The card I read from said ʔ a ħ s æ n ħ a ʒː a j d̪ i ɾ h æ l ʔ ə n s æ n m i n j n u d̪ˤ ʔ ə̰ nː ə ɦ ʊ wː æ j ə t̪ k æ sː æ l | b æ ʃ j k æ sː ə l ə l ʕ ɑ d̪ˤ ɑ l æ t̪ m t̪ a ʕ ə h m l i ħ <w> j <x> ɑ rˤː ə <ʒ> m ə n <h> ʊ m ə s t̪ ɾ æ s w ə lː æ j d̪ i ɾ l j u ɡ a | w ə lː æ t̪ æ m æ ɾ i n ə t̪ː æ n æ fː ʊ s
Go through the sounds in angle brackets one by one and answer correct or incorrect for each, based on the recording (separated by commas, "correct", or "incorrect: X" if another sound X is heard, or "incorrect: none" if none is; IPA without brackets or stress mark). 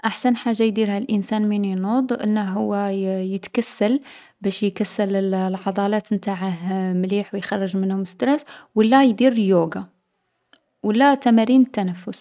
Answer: correct, correct, correct, correct